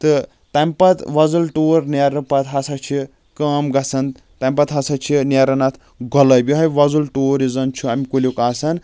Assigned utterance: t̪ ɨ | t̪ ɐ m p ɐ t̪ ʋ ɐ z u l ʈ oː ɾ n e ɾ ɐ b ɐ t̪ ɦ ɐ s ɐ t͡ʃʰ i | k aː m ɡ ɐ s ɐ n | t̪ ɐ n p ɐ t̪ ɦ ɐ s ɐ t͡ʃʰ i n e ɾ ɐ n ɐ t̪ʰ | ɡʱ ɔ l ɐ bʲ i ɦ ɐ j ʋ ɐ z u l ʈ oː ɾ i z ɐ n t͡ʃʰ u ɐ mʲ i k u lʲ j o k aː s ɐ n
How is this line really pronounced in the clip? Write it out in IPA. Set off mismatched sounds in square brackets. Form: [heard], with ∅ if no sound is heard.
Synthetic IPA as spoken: t̪ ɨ | t̪ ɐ m p ɐ t̪ ʋ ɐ z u l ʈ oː ɾ n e ɾ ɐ [p] ɐ t̪ ɦ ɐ s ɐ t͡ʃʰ i | k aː m ɡ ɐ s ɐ n | t̪ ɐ [m] p ɐ t̪ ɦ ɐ s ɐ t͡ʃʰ i n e ɾ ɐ n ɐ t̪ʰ | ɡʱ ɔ l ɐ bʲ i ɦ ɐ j ʋ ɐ z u l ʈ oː ɾ i z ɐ n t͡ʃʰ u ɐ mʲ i k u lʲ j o k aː s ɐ n

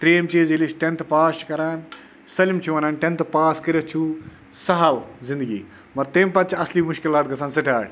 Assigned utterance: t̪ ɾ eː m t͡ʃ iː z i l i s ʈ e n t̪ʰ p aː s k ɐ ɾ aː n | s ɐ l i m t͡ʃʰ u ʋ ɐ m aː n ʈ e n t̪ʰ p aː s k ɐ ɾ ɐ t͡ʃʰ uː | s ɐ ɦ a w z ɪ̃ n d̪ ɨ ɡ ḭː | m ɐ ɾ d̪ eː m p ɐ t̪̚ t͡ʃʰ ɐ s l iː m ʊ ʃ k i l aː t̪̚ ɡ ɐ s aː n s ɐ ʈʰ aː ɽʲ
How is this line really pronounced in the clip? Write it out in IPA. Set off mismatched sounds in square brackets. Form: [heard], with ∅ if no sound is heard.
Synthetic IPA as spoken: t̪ ɾ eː m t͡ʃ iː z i l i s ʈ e n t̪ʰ p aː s k ɐ ɾ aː n | s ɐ l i m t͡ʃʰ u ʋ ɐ [n] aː n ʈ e n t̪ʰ p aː s k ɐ ɾ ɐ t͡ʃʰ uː | s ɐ ɦ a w z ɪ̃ n d̪ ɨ ɡ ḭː | m ɐ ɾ [t̪] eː m p ɐ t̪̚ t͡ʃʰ ɐ s l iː m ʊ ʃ k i l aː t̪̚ ɡ ɐ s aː n s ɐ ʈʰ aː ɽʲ

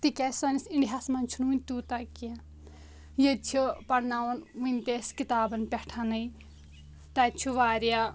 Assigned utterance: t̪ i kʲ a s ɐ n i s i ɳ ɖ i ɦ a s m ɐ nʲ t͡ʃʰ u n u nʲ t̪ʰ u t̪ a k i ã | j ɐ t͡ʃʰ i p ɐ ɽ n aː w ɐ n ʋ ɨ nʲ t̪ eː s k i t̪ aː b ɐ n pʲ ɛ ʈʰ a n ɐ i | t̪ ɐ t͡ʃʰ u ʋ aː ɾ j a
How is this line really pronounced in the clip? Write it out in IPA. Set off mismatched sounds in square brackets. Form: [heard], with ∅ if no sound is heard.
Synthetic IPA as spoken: t̪ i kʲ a s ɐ n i s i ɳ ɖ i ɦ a s m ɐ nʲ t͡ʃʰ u n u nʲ [t̪] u t̪ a k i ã | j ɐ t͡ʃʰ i p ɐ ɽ n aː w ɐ n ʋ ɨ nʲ t̪ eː s k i t̪ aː b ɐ n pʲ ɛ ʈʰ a n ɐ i | t̪ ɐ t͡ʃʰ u ʋ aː ɾ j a

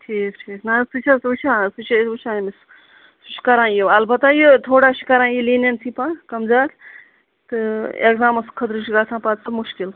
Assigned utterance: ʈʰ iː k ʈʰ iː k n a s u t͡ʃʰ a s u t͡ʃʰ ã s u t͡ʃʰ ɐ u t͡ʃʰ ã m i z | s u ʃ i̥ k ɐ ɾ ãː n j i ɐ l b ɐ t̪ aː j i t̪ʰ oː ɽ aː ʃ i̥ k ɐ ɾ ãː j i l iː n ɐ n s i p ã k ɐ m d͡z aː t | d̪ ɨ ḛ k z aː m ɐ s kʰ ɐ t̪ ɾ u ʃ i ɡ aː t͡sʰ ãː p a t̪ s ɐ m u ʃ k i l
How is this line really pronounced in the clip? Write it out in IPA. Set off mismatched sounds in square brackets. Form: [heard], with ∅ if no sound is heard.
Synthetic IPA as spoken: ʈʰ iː k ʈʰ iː k n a s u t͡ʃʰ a s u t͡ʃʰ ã s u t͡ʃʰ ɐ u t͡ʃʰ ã m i [s] | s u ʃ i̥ k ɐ ɾ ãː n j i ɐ l b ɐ t̪ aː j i t̪ʰ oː ɽ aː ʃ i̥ k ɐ ɾ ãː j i l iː n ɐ n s i p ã k ɐ m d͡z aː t | [t̪] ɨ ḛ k z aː m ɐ s kʰ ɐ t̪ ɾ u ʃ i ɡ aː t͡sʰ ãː p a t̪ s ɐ m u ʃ k i l

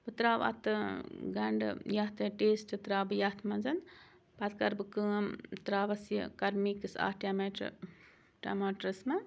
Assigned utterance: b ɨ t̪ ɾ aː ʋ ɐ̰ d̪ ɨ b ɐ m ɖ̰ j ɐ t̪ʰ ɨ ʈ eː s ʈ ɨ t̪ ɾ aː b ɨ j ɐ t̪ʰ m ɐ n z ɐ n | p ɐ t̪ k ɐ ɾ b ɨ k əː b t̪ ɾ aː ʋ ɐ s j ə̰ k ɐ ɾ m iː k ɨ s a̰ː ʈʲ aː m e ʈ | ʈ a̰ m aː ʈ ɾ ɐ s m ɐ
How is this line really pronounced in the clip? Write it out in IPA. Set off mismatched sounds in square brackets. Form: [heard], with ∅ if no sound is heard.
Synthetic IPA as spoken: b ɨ t̪ ɾ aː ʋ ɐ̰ [t̪] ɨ [ɡ] ɐ [ɳ] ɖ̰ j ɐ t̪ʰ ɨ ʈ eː s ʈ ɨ t̪ ɾ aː b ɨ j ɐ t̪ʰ m ɐ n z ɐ n | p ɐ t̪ k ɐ ɾ b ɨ k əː [m] t̪ ɾ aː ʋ ɐ s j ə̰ k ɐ ɾ m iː k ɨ s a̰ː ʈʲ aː m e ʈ | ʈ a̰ m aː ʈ ɾ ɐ s m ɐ

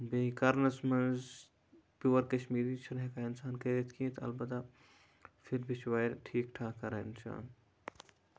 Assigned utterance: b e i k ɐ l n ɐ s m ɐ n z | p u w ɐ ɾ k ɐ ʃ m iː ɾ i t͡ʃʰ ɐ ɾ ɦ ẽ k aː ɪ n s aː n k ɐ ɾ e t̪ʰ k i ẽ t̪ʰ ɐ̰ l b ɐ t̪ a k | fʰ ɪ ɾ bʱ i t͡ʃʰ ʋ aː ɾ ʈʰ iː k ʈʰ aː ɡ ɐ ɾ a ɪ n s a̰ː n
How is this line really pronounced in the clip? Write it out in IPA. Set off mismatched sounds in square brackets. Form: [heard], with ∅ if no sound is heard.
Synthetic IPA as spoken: b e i k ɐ [ɾ] n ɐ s m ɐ n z | p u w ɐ ɾ k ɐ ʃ m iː ɾ i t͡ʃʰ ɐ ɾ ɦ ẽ k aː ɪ n s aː n k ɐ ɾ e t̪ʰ k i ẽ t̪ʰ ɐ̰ l b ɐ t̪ a [∅] | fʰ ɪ ɾ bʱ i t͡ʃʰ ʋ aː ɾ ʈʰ iː k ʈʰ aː [k] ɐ ɾ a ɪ n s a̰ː n

